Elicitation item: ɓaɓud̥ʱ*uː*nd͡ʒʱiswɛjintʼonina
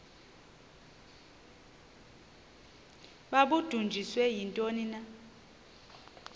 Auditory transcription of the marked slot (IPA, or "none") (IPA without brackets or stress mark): u